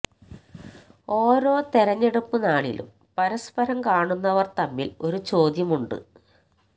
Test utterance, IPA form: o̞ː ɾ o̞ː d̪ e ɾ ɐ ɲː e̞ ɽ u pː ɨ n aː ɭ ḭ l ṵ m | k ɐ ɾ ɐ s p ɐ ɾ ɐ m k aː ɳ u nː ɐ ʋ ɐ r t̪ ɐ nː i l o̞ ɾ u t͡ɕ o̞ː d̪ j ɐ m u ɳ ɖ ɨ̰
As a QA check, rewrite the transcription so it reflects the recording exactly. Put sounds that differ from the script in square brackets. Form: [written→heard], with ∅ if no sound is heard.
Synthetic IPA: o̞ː ɾ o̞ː [d̪→t̪] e ɾ ɐ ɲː e̞ ɽ u pː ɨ n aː ɭ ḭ l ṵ m | [k→p] ɐ ɾ ɐ s p ɐ ɾ ɐ m k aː ɳ u nː ɐ ʋ ɐ r t̪ ɐ [nː→mː] i l o̞ ɾ u t͡ɕ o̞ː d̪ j ɐ m u ɳ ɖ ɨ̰